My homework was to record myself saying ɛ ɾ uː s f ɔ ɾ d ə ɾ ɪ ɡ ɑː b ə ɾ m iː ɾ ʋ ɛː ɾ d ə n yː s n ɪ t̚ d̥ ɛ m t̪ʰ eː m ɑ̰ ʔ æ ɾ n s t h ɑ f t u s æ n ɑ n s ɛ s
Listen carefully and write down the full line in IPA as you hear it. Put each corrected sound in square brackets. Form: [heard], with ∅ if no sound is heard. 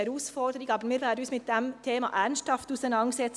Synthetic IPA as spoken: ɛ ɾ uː s f ɔ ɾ d ə ɾ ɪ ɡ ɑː b ə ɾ m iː ɾ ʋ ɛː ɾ d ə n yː s [m] ɪ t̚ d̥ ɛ m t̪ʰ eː m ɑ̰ ʔ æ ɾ n s t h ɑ f t u s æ n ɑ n s ɛ [t͡s]